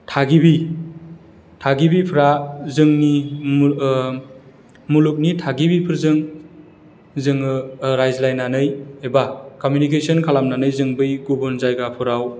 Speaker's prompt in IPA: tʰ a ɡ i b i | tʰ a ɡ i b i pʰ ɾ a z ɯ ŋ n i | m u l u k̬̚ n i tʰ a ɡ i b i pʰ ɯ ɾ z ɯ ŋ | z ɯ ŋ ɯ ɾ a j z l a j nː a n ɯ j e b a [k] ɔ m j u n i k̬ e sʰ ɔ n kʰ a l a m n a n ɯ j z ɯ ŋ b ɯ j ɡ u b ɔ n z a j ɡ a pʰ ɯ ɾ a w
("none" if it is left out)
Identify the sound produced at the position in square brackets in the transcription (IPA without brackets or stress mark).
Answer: k